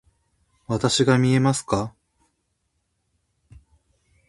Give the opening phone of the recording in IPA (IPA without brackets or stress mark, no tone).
β